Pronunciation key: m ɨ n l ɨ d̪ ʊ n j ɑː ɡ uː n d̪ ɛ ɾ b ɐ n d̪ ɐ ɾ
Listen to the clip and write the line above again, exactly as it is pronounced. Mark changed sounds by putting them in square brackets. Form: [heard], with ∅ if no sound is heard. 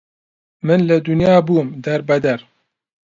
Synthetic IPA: m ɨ n l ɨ d̪ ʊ n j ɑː [b] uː [m] d̪ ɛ ɾ b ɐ [∅] d̪ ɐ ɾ